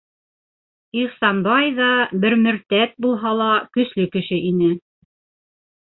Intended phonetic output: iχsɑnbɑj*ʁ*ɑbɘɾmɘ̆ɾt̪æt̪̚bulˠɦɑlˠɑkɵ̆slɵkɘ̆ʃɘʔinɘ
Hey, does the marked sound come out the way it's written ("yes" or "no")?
no